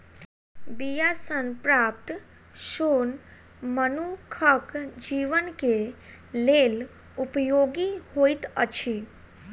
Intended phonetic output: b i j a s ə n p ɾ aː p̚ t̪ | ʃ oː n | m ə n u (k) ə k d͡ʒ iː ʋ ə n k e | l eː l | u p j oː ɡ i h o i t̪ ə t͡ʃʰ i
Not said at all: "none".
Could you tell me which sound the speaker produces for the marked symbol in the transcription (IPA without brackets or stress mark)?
kʰ